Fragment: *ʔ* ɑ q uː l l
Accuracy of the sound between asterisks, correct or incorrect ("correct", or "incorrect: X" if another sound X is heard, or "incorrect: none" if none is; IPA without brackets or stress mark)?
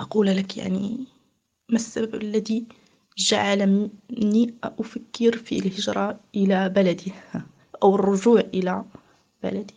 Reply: correct